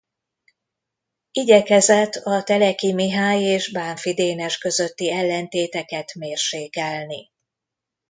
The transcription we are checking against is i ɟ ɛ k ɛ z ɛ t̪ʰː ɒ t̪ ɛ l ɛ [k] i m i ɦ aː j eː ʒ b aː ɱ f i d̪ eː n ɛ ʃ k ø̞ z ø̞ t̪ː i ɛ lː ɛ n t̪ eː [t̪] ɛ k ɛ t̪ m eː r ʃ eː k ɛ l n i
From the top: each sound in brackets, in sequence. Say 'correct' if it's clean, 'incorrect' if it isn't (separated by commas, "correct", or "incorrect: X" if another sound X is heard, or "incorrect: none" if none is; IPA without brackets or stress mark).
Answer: correct, correct